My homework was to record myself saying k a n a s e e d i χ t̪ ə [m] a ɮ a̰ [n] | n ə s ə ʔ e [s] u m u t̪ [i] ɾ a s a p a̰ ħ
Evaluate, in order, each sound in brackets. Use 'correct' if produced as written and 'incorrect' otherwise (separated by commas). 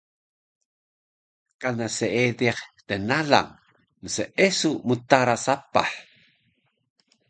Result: incorrect, incorrect, correct, incorrect